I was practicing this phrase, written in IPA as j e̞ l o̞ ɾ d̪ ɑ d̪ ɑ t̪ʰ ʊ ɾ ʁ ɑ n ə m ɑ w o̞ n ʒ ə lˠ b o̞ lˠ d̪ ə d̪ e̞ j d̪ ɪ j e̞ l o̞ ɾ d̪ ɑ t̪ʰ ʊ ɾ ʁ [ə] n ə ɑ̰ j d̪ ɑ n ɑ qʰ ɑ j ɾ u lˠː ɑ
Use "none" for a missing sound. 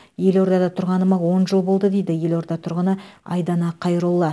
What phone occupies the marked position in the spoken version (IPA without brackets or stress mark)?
ə